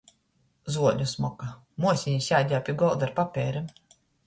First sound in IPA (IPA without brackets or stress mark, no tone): z